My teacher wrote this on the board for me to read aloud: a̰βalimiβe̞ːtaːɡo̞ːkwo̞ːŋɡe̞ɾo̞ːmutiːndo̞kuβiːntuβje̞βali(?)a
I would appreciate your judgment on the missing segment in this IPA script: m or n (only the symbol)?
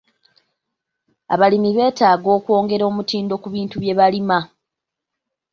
m